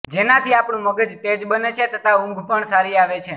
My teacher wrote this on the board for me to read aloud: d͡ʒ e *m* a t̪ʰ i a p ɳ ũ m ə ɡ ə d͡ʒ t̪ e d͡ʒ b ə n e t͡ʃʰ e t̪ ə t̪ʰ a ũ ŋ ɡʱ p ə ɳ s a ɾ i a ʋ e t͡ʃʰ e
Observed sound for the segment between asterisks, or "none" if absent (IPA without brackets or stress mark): n